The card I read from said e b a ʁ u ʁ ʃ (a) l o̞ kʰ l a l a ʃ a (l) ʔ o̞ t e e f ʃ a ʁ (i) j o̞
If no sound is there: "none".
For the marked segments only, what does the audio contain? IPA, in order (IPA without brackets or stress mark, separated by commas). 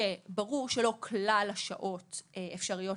e, none, i